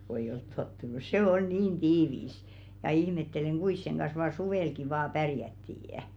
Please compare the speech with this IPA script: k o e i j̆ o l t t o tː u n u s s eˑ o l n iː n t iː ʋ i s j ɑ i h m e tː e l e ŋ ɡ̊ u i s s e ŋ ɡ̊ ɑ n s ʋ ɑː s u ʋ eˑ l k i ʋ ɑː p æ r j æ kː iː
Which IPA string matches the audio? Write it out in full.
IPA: k o e i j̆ o l t t o tː u n u s s eˑ o l n iː n t iː ʋ i s j ɑ i h m e tː e l e ŋ ɡ̊ u i s s e ŋ ɡ̊ ɑ n s ʋ ɑː s u ʋ eˑ l k i ʋ ɑː p æ r j æ tː iː